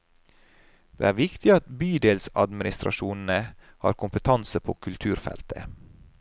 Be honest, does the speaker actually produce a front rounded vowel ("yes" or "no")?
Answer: yes